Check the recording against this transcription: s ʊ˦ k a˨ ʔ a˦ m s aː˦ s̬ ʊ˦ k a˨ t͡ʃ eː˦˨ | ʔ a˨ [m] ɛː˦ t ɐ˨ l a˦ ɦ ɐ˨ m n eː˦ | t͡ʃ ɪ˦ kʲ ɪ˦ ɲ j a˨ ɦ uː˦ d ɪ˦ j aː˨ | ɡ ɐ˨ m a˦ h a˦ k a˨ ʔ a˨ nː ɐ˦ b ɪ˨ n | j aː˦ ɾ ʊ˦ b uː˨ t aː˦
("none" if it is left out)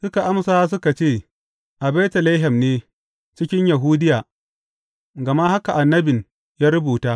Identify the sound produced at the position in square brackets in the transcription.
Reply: b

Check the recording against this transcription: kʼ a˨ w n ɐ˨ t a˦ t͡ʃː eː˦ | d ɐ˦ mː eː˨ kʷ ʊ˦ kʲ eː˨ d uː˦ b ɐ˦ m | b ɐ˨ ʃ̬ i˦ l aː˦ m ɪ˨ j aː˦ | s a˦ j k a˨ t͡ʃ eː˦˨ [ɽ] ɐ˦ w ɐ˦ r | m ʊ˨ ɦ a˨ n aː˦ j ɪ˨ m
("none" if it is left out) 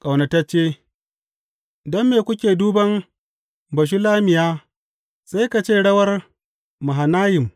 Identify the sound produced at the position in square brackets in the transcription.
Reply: ɽ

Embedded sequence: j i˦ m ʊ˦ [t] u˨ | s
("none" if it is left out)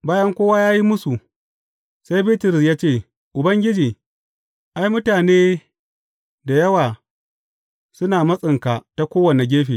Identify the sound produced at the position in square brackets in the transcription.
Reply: s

